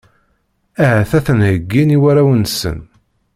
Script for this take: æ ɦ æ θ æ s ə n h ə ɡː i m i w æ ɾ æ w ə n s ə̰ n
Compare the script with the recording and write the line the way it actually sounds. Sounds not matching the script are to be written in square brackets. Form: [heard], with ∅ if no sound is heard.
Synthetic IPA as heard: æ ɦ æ θ æ [θ] ə n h ə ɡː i [n] i w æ ɾ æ w ə n s ə̰ n